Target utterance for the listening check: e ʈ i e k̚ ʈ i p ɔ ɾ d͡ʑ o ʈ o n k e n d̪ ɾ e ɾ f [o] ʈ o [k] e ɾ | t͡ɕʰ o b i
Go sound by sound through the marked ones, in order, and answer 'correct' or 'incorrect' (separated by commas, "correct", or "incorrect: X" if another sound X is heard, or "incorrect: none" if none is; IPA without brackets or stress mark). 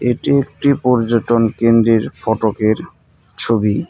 incorrect: ɔ, correct